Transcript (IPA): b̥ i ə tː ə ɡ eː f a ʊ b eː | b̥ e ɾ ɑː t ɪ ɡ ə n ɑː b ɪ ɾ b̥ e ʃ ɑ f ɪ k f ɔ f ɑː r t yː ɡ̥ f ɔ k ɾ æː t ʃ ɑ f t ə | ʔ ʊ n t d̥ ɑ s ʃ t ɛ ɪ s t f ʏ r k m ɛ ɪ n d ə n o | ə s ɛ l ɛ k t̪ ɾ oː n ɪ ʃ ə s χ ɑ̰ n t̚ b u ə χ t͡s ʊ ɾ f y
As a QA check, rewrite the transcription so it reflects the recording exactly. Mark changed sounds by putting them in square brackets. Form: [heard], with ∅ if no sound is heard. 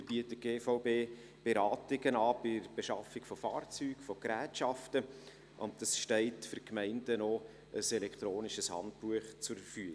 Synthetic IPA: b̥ i ə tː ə ɡ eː f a ʊ b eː | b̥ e ɾ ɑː t ɪ ɡ ə n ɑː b ɪ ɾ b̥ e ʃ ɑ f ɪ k f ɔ f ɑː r [t͡s] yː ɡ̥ f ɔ k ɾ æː t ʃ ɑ f t ə | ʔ ʊ n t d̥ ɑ s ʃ t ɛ ɪ [∅] t f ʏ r k m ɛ ɪ n d ə n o | ə s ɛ l ɛ k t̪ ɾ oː n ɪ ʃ ə s [h] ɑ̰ n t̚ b u ə χ t͡s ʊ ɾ f y

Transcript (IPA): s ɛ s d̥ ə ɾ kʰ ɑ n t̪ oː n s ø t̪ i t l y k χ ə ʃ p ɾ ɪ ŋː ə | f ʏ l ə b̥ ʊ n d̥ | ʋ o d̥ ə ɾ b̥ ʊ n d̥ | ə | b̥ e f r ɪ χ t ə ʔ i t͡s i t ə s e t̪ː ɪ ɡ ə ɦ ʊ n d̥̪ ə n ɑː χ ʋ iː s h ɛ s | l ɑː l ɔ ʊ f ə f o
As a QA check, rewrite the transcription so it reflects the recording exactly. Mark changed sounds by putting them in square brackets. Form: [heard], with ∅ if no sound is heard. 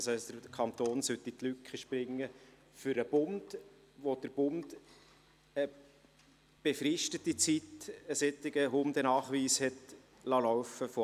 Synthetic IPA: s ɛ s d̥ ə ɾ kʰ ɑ n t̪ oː n s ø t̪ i t l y k χ ə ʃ p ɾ ɪ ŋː ə | f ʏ [ɾ] ə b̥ ʊ n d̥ | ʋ o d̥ ə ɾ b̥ ʊ n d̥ | ə | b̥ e f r ɪ [ʃ] t ə [t] i t͡s i t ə s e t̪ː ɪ ɡ ə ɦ ʊ n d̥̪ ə n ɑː χ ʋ iː s h ɛ [t] | l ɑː l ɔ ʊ f ə f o

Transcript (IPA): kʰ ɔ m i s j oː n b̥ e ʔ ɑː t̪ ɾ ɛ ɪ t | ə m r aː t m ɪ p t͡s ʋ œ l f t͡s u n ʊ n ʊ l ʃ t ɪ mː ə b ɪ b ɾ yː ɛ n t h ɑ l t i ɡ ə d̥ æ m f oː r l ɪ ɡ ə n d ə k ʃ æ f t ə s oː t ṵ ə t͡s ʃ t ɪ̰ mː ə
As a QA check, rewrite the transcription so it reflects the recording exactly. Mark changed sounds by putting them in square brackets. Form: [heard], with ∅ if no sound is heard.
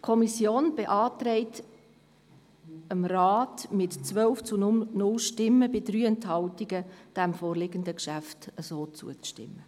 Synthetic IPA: kʰ ɔ m i s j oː n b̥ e ʔ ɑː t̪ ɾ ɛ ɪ t | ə m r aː t m ɪ [t] t͡s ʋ œ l f t͡s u n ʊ n ʊ l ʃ t ɪ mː ə b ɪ [d] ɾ yː ɛ n t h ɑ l t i ɡ ə d̥ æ m f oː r l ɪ ɡ ə n d ə k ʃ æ f t ə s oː [t͡s] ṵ ə t͡s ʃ t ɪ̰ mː ə

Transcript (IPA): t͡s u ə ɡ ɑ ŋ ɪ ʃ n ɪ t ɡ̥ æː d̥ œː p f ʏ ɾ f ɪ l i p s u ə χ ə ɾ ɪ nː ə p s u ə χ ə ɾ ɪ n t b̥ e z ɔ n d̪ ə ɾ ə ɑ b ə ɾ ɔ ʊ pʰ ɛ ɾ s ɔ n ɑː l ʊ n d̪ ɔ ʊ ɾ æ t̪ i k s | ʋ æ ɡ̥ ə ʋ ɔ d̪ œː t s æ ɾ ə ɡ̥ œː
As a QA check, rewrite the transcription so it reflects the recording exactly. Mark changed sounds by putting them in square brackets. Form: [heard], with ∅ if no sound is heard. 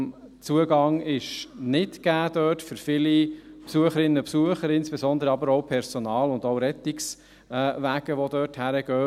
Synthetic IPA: t͡s u ə ɡ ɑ ŋ ɪ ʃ n ɪ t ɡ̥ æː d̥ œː [t] f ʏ ɾ f ɪ l i p s u ə χ ə ɾ ɪ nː ə p s u ə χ ə ɾ ɪ n [s] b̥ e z ɔ n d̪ ə ɾ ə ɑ b ə ɾ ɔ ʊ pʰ ɛ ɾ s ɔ n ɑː l ʊ n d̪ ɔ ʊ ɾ [ɛ] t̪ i k s | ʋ æ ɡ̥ ə ʋ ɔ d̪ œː t [h] æ ɾ ə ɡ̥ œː

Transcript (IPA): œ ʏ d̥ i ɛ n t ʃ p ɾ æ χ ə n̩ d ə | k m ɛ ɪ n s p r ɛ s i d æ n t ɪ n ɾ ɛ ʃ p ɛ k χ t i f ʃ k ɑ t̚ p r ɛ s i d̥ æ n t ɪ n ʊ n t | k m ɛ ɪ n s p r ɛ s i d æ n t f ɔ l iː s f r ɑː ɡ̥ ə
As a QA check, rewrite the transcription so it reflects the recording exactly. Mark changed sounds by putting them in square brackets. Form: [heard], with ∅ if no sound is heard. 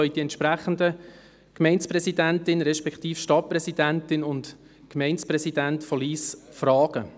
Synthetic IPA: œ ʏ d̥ i ɛ n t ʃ p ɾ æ χ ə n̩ d ə | k m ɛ ɪ n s p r ɛ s i d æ n t ɪ n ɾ ɛ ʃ p ɛ k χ t [iː] f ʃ [t] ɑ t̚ p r ɛ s i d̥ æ n t ɪ n ʊ n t | k m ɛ ɪ n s p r ɛ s i d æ n t f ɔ l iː s f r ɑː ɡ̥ ə

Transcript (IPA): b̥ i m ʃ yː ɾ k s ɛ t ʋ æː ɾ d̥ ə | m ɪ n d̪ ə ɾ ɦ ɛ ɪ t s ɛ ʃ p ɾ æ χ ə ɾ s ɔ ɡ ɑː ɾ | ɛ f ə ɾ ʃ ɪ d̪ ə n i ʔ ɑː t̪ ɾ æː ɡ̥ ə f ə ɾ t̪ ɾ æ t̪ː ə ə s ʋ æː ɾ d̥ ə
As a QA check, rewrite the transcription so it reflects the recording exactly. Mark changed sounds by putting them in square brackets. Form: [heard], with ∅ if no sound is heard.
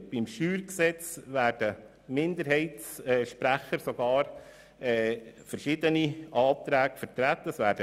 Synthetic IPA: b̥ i m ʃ yː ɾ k s ɛ [t͡s] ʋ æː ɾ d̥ ə | m ɪ n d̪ ə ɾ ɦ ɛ ɪ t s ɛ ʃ p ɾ æ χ ə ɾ s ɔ ɡ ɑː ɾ | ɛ f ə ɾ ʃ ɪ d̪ ə n i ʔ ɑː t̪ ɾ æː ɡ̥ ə f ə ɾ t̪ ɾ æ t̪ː ə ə s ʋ æː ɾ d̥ ə

